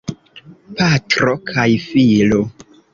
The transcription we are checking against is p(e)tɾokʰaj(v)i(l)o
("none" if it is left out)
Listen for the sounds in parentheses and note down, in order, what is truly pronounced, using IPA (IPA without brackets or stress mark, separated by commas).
a, f, l